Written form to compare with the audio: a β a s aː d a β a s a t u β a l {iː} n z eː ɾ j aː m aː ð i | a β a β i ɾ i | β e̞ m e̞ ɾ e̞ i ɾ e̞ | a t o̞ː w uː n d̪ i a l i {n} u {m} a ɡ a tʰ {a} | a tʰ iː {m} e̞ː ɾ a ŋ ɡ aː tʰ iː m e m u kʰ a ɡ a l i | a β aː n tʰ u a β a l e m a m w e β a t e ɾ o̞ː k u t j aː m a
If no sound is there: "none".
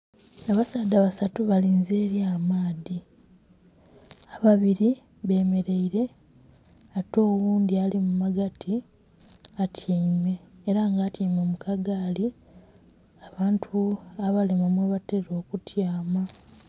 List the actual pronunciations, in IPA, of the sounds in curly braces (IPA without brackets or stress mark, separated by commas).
iː, m, m, i, m